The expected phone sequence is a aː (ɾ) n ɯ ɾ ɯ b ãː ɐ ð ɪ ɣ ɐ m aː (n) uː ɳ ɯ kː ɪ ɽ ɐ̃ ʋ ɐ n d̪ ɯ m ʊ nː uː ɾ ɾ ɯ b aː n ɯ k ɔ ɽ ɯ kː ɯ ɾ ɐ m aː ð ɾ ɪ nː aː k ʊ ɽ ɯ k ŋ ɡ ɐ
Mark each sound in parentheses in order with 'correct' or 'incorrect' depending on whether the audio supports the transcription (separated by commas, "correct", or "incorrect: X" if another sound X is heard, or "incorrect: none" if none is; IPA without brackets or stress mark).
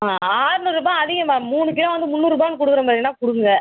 correct, incorrect: m